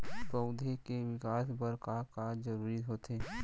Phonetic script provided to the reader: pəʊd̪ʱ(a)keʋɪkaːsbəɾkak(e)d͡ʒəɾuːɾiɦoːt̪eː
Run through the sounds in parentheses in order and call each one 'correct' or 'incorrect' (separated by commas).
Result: incorrect, incorrect